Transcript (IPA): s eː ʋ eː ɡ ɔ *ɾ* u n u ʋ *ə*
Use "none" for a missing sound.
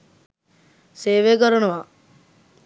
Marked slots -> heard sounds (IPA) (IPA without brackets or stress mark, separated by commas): ɾ, a